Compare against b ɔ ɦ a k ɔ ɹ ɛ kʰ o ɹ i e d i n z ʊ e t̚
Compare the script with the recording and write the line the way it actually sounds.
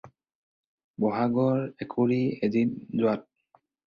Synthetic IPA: b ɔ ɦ a ɡ ɔ ɹ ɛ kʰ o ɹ i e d i n z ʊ a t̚